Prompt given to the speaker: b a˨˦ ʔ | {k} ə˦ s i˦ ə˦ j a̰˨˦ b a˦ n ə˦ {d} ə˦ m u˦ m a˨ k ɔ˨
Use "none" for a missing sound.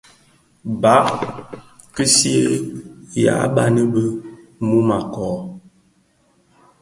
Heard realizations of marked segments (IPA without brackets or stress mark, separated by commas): k, b